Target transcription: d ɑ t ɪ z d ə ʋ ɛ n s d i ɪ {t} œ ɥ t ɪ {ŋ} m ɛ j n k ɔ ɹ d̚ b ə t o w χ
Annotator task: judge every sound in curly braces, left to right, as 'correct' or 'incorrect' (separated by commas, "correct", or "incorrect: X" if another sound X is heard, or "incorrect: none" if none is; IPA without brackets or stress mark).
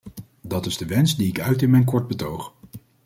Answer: incorrect: k, incorrect: n